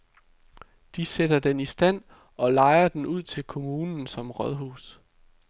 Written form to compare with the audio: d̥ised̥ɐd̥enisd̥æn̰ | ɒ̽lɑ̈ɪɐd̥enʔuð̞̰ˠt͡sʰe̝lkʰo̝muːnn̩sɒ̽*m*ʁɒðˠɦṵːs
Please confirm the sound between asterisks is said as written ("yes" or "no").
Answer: yes